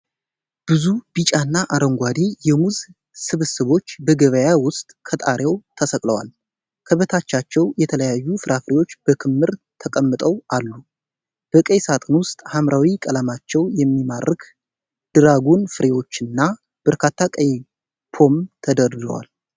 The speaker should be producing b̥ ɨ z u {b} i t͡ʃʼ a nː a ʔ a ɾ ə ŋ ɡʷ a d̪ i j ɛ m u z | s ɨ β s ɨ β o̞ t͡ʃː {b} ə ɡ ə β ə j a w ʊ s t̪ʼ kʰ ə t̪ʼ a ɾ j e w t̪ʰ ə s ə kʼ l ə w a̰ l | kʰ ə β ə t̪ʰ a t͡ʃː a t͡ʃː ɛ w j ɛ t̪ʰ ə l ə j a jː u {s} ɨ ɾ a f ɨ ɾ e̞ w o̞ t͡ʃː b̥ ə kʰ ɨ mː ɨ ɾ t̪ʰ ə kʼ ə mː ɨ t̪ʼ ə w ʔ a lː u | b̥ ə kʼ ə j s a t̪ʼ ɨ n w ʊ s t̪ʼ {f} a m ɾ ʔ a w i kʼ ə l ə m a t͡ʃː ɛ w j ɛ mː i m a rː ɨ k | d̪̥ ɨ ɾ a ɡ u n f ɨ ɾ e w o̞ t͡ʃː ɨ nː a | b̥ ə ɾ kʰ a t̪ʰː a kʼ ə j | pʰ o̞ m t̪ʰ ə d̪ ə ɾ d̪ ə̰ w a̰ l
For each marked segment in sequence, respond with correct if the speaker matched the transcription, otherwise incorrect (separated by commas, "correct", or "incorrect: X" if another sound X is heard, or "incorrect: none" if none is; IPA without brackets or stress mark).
correct, correct, incorrect: f, incorrect: h